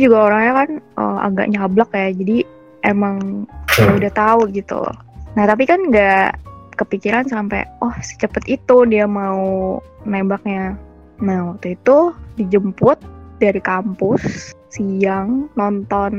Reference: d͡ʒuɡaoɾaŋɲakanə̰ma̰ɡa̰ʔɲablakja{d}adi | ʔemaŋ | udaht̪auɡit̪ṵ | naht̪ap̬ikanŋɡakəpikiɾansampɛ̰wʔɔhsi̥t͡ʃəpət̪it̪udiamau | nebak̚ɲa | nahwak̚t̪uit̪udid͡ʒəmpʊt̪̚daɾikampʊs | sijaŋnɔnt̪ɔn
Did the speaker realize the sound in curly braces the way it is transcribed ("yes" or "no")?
no